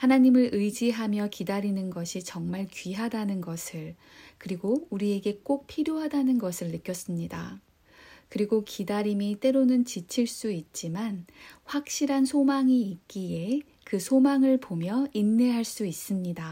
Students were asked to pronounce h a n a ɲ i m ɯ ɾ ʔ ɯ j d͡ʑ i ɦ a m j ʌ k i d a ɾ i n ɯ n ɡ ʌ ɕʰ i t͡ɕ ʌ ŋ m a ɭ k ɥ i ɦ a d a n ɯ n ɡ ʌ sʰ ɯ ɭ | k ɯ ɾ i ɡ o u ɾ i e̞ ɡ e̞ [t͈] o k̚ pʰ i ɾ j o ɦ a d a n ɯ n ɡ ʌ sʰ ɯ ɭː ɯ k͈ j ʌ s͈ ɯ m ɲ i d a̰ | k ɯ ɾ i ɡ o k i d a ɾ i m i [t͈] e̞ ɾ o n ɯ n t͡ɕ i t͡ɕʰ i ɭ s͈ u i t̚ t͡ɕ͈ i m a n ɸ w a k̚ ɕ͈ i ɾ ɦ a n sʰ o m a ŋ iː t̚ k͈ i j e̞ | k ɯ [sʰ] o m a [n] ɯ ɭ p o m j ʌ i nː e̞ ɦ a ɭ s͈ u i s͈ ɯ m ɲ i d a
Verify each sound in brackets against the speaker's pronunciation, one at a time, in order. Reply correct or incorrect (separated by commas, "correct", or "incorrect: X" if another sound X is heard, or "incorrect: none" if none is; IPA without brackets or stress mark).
incorrect: k͈, correct, correct, incorrect: ŋ